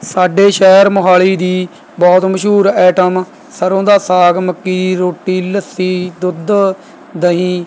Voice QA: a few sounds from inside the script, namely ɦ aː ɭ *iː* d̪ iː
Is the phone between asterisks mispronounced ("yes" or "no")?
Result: no